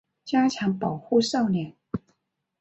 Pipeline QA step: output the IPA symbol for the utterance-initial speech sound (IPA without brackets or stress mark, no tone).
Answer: t͡ɕ